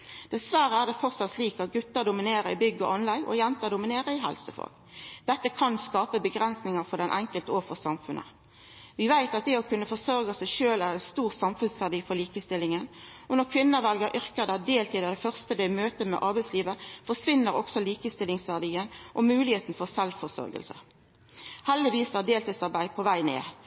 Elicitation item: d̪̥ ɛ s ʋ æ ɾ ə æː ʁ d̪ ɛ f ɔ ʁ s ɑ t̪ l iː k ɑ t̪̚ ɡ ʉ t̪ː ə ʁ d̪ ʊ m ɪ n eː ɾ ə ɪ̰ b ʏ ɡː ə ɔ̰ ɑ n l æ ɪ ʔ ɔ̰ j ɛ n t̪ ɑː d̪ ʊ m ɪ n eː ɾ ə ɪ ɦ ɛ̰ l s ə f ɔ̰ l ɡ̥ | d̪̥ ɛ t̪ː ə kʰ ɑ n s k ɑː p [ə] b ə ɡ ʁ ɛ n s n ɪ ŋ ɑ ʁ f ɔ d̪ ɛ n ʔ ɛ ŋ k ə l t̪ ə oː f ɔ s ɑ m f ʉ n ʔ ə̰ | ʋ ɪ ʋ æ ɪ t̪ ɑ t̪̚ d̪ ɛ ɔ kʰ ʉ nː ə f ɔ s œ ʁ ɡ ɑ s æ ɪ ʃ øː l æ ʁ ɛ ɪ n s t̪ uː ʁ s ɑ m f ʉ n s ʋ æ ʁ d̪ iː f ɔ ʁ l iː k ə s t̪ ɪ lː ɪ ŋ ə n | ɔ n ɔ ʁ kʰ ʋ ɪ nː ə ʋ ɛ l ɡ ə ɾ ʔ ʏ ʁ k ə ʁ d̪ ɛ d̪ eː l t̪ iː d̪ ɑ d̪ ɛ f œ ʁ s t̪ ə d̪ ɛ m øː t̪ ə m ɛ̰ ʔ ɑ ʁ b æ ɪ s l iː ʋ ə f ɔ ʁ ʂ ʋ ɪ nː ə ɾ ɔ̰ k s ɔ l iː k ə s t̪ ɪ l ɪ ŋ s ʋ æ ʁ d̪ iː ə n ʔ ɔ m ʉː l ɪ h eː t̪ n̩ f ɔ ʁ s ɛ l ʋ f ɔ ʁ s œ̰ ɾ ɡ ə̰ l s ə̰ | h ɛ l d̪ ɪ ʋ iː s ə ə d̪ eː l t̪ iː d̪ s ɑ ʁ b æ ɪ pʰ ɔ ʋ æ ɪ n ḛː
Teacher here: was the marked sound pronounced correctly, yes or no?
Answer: yes